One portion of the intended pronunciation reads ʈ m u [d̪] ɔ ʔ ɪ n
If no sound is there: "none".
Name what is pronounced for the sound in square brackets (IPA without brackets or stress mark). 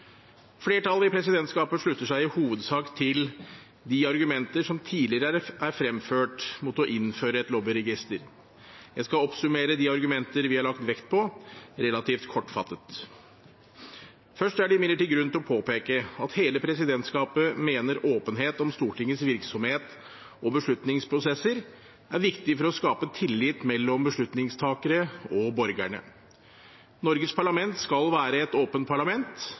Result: t̪